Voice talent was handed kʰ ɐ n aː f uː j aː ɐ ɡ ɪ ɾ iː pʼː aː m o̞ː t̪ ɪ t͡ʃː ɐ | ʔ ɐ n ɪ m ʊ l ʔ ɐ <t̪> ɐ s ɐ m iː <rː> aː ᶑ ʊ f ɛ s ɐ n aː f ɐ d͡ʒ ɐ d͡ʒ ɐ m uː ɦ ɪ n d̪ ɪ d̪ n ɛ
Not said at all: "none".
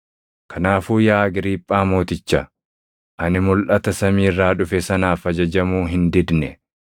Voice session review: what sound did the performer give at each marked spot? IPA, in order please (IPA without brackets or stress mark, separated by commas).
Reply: t̪, rː